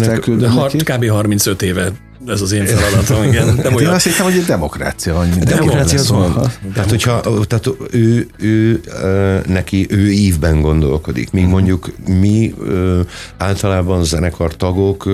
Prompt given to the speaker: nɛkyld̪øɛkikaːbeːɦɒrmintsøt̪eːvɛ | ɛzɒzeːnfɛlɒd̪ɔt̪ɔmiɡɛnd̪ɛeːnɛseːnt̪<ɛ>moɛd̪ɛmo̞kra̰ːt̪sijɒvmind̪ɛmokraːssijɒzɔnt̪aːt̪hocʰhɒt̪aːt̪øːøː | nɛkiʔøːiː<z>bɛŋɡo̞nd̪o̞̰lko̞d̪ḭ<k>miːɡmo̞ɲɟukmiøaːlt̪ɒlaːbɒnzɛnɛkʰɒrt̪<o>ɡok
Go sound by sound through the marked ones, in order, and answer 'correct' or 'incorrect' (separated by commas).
correct, incorrect, correct, incorrect